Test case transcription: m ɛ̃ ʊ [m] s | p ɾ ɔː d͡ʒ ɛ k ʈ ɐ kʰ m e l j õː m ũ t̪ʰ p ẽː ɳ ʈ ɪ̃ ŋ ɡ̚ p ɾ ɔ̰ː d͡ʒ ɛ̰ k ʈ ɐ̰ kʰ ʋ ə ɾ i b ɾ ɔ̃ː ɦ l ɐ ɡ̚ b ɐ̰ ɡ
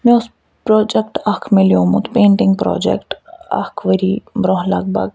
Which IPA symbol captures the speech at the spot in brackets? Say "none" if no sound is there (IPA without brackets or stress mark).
none